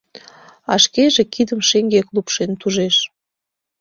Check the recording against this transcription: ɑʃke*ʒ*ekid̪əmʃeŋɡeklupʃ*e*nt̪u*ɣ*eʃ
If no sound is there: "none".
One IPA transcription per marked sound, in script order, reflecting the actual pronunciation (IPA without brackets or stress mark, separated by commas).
ʒ, e, ʒ